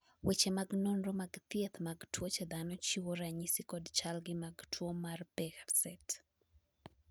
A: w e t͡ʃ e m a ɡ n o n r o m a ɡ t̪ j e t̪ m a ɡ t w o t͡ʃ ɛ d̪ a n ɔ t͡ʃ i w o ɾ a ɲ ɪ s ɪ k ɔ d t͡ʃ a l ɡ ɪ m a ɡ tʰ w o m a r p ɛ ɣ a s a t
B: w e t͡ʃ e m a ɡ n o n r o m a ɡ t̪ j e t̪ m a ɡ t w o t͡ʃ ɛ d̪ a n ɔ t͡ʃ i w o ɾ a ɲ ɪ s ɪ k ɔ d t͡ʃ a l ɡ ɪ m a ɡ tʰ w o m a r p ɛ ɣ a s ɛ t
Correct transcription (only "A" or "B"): B